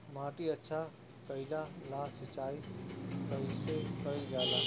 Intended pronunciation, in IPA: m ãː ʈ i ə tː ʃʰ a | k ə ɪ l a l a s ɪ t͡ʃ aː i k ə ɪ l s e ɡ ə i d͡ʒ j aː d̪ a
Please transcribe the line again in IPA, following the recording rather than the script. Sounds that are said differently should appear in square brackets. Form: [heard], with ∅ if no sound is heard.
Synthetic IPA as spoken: m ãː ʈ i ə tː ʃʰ a | k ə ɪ l a l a s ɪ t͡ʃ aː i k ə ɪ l s e [k] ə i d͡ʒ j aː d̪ a